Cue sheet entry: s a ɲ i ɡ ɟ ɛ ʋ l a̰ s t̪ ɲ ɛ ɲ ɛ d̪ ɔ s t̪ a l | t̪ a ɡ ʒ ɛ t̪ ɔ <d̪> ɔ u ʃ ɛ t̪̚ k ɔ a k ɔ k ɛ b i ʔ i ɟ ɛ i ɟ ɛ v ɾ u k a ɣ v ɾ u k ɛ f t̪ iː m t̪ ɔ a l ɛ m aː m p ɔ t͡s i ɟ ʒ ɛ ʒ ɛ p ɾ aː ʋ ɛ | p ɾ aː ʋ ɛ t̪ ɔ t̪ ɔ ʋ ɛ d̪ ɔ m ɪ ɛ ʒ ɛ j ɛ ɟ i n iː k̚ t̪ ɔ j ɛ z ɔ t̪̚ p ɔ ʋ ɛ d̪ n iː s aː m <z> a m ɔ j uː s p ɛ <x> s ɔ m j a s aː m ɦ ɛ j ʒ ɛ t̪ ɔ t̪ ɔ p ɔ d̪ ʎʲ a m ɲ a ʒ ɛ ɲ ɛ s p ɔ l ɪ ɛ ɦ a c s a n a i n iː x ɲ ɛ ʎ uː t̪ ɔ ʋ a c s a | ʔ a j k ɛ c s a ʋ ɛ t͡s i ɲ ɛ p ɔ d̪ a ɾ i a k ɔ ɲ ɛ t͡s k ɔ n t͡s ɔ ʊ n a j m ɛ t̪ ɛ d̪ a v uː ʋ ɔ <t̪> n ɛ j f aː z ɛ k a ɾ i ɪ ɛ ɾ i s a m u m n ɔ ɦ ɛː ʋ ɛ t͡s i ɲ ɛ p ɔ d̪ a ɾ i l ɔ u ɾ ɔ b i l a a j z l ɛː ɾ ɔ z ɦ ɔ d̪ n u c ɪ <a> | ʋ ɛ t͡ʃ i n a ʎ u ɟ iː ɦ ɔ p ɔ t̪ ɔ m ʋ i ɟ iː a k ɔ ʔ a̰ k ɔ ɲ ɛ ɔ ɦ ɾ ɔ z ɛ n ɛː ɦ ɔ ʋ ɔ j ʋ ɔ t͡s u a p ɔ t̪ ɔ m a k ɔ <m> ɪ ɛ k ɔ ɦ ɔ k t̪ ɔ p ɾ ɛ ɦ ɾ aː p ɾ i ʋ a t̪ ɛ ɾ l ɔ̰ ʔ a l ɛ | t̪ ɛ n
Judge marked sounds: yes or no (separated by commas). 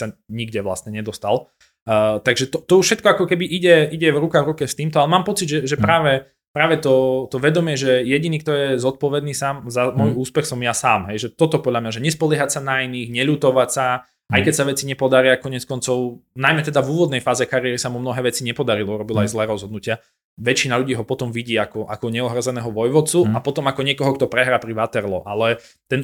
no, yes, yes, no, yes, no